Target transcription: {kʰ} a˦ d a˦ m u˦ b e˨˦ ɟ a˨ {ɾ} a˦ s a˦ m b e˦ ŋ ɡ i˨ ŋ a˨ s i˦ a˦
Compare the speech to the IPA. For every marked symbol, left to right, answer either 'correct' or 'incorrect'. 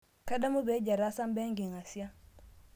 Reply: incorrect, correct

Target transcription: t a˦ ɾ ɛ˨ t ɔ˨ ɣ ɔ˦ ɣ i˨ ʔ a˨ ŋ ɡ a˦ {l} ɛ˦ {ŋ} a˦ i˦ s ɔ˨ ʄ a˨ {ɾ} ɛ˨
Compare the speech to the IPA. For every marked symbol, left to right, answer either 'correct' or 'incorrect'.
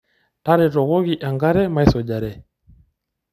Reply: incorrect, incorrect, correct

